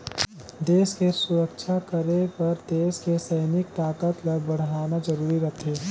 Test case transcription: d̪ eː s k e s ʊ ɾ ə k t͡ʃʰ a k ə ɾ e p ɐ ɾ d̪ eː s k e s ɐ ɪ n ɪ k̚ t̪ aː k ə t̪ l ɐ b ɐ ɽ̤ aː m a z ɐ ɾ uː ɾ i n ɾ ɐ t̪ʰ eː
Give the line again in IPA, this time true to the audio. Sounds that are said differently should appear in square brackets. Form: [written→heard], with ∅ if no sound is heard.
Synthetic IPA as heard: d̪ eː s k e s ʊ ɾ ə k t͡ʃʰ a k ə ɾ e p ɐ ɾ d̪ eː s k e s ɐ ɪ n ɪ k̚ t̪ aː k ə t̪ l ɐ b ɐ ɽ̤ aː [m→n] a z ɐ ɾ uː ɾ i [n→∅] ɾ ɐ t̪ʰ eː